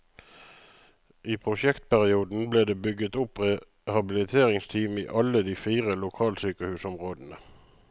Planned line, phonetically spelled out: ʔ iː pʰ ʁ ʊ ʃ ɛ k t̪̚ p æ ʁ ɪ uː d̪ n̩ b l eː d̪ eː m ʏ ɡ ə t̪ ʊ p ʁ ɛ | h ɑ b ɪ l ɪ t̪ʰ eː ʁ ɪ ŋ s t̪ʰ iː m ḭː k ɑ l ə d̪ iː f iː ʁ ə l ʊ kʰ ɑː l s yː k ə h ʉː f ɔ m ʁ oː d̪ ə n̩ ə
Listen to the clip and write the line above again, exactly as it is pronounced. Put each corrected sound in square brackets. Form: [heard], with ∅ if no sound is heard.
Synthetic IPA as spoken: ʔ iː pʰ ʁ ʊ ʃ ɛ k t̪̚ p æ ʁ ɪ uː d̪ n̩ b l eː d̪ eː [b] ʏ ɡ ə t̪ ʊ p ʁ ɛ | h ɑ b ɪ l ɪ t̪ʰ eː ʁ ɪ ŋ s t̪ʰ iː m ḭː [ʔ] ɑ l ə d̪ iː f iː ʁ ə l ʊ kʰ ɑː l s yː k ə h ʉː [s] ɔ m ʁ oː d̪ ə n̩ ə

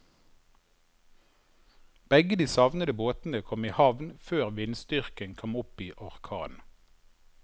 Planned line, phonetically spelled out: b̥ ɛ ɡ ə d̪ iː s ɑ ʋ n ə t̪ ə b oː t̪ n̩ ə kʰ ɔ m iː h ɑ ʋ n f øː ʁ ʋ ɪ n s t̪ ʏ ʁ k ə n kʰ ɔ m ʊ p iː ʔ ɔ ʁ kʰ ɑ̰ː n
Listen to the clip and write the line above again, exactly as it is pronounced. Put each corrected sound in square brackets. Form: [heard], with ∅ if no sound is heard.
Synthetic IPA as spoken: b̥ ɛ ɡ ə d̪ iː s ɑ ʋ n ə [d̪] ə b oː t̪ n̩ ə kʰ ɔ m iː h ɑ ʋ n f øː ʁ ʋ ɪ n s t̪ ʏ ʁ k ə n kʰ ɔ m ʊ p iː ʔ ɔ ʁ kʰ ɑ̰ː n

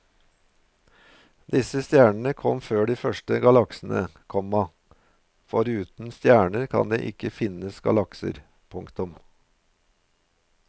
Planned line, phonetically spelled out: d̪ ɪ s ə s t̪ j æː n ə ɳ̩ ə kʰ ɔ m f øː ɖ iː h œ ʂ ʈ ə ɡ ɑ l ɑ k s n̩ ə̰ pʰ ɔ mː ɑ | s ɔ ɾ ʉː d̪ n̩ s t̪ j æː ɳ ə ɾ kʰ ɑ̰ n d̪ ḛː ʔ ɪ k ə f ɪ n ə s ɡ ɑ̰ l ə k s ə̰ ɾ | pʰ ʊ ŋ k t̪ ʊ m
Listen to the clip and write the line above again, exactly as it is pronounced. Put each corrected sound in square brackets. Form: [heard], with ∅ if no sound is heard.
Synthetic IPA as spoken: d̪ ɪ s ə s t̪ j æː [ɳ] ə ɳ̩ ə kʰ ɔ m f øː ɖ iː [f] œ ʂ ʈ ə ɡ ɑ l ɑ k s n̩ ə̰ [kʰ] ɔ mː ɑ | [f] ɔ ɾ ʉː [t̪] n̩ s t̪ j æː ɳ ə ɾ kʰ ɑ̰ n d̪ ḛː ʔ ɪ k ə f ɪ n ə s ɡ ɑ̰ l [ɑ] k s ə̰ ɾ | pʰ ʊ ŋ k t̪ ʊ m

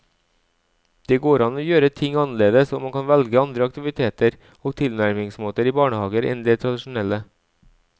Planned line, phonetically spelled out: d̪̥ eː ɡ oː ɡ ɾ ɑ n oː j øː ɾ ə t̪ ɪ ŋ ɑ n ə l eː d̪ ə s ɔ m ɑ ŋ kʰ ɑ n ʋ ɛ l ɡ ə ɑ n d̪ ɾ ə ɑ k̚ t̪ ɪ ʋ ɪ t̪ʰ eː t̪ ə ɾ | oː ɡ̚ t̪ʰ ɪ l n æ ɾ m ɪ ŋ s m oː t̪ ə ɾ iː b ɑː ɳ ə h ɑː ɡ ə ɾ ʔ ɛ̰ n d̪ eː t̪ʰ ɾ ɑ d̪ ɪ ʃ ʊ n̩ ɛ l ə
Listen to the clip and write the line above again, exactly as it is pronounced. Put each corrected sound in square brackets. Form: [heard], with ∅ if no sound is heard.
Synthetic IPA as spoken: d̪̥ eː ɡ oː [∅] ɾ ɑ n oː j øː ɾ ə [t̪ʰ] ɪ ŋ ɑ n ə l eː d̪ ə s ɔ m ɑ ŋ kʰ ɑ n ʋ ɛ l ɡ ə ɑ n d̪ ɾ ə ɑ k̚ t̪ ɪ ʋ ɪ t̪ʰ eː t̪ ə ɾ | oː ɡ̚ t̪ʰ ɪ l n æ ɾ m ɪ ŋ s m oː t̪ ə ɾ iː b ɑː ɳ ə h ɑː ɡ ə ɾ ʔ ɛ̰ n d̪ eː t̪ʰ ɾ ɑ d̪ ɪ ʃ ʊ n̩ ɛ l ə

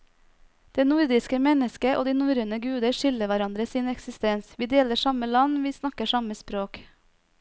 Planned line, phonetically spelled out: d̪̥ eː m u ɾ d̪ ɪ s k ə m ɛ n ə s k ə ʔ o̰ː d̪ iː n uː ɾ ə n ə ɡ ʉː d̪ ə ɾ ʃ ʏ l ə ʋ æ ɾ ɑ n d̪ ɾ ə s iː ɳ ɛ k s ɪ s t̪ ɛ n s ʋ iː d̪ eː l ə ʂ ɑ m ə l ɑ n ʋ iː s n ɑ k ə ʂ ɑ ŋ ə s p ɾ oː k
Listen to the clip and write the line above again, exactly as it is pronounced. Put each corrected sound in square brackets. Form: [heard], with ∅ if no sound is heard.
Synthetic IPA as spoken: d̪̥ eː [n] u ɾ d̪ ɪ s k ə m ɛ n ə s k ə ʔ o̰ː d̪ iː n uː ɾ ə n ə ɡ ʉː d̪ ə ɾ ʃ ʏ l ə ʋ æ ɾ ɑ n d̪ ɾ ə s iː [n] ɛ k s ɪ s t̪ ɛ n s ʋ iː d̪ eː l ə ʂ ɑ m ə l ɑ n ʋ iː s n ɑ k ə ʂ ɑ [m] ə s p ɾ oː k

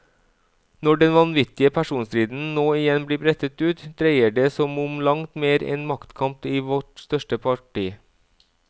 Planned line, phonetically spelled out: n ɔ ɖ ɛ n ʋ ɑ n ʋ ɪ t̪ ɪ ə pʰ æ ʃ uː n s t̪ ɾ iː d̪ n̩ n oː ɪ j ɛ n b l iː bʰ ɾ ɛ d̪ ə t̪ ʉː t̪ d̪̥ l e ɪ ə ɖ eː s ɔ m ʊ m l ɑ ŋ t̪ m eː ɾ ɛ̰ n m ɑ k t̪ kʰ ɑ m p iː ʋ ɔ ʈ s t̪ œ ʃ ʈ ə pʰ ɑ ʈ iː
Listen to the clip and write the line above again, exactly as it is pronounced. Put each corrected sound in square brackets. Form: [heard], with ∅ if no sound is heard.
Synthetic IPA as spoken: n ɔ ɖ ɛ n ʋ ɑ n ʋ ɪ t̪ ɪ ə pʰ æ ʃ uː n s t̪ ɾ iː d̪ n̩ n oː ɪ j ɛ n b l iː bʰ ɾ ɛ [t̪] ə t̪ ʉː t̪ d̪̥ [ɾ] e ɪ ə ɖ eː s ɔ m ʊ m l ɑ ŋ t̪ m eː ɾ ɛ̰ n m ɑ k t̪ kʰ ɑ m p iː ʋ ɔ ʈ s t̪ œ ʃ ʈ ə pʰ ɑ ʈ iː

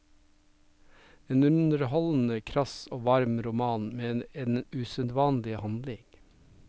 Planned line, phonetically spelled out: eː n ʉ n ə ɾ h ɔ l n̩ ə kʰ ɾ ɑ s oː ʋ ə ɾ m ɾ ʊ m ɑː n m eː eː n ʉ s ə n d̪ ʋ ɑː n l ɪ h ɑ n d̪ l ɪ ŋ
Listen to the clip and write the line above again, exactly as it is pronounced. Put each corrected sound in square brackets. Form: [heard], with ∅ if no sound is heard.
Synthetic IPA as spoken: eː n ʉ n ə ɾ h ɔ l n̩ ə kʰ ɾ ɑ s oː ʋ [ɑ] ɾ m ɾ ʊ m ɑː n m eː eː n ʉ s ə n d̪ ʋ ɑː n l ɪ h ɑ n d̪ l ɪ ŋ

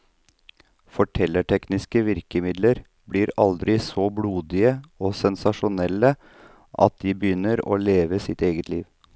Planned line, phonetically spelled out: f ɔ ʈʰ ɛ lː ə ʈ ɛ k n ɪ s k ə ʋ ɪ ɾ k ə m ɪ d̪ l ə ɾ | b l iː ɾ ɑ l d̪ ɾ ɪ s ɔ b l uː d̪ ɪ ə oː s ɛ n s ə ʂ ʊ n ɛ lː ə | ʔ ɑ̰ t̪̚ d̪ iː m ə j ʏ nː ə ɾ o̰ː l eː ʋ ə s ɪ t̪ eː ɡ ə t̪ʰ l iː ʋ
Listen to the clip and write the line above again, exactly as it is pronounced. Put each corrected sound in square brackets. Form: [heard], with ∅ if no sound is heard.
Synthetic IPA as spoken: f ɔ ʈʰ ɛ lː ə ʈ ɛ k n ɪ s k ə ʋ ɪ ɾ k ə m ɪ d̪ l ə ɾ | b l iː ɾ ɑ l d̪ ɾ ɪ s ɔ b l uː d̪ ɪ ə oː s ɛ n s [ɑ] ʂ ʊ n ɛ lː ə | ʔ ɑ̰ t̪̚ d̪ iː [b] ə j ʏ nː ə ɾ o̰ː l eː ʋ ə s ɪ t̪ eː ɡ ə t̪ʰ l iː ʋ

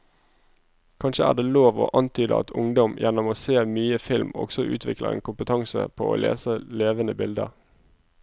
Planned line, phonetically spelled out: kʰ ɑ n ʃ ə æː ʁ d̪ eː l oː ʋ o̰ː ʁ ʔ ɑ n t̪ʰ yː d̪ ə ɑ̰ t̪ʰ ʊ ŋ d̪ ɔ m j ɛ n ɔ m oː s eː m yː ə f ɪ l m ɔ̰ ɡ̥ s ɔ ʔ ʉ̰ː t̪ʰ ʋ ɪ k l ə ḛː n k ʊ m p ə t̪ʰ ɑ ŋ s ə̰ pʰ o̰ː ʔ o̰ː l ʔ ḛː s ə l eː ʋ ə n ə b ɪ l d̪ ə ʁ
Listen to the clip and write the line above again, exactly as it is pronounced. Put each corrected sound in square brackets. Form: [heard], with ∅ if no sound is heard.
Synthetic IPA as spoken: kʰ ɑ n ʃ ə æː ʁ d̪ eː l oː ʋ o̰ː [∅] ʔ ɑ n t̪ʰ yː d̪ ə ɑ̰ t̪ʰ ʊ ŋ d̪ ɔ m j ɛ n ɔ m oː s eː m yː ə f ɪ l m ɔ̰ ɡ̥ s ɔ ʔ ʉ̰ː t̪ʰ ʋ ɪ k l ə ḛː n k ʊ m p ə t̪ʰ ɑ ŋ s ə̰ pʰ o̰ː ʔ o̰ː l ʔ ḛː s ə l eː ʋ ə n ə b ɪ l d̪ ə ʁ

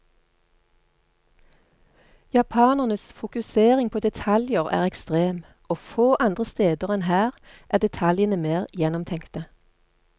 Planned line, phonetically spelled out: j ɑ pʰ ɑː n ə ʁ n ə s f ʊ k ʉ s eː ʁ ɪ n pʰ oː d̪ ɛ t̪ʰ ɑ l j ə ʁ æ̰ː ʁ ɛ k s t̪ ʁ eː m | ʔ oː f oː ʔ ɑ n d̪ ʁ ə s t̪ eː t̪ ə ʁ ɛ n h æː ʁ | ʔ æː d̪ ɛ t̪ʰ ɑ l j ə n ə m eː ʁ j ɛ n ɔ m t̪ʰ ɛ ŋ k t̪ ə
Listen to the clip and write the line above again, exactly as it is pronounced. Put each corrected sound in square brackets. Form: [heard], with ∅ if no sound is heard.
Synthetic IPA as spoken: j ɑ pʰ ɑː n ə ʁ n ə s f ʊ k ʉ s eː ʁ ɪ [ŋ] pʰ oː d̪ ɛ t̪ʰ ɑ l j ə ʁ æ̰ː ʁ ɛ k s t̪ ʁ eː m | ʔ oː f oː ʔ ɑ n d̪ ʁ ə s t̪ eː [d̪] ə ʁ ɛ n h æː ʁ | ʔ æː d̪ ɛ t̪ʰ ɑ l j ə n ə m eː ʁ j ɛ n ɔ m t̪ʰ ɛ ŋ k t̪ ə

